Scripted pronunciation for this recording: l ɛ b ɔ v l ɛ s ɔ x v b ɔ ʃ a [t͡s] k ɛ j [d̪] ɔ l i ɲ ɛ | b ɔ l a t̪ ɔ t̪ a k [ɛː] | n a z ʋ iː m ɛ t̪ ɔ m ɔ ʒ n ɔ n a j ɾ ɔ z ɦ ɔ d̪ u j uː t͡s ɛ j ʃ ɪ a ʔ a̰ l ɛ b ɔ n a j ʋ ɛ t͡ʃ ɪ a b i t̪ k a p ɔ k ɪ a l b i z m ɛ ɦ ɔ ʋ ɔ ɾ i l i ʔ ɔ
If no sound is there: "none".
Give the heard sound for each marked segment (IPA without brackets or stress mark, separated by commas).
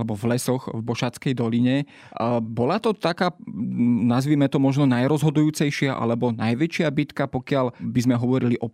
t͡s, d̪, aː